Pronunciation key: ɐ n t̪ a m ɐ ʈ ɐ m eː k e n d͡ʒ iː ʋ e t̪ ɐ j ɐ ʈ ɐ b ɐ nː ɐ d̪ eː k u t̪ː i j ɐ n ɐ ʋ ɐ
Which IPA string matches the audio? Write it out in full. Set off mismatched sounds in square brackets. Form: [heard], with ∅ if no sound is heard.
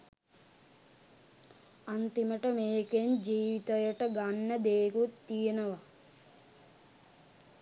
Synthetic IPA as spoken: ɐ n t̪ [i] m ɐ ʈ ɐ m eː k e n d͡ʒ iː ʋ [i] t̪ ɐ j ɐ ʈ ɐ [ɡ] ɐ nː ɐ d̪ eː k u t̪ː i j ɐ n ɐ ʋ ɐ